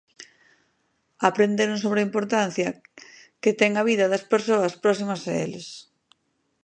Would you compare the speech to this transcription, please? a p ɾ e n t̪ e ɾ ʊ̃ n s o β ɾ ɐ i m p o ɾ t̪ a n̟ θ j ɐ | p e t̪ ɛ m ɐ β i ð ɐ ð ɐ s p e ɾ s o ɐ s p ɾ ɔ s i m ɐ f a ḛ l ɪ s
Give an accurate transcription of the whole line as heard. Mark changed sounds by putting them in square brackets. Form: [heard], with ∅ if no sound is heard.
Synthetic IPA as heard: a p ɾ e n [d̪] e ɾ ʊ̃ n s o β ɾ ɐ i m p o ɾ t̪ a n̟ θ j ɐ | [k] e t̪ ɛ [ŋ] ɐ β i ð ɐ ð ɐ s p e ɾ s o ɐ s p ɾ ɔ s i m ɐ [s] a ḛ l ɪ s